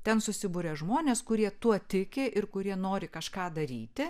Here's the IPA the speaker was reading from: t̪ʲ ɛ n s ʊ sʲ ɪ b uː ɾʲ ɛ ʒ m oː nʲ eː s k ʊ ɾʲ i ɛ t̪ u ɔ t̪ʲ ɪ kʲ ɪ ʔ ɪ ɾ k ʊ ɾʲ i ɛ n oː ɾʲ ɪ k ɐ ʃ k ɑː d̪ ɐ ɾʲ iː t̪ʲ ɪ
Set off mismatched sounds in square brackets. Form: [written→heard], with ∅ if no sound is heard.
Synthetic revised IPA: t̪ʲ ɛ n s ʊ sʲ ɪ b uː ɾʲ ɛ ʒ m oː nʲ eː s k ʊ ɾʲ i ɛ t̪ u ɔ t̪ʲ ɪ kʲ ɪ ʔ ɪ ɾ k ʊ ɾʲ i ɛ n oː ɾʲ ɪ k ɐ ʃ k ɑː d̪ ɐ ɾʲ iː t̪ʲ ɪ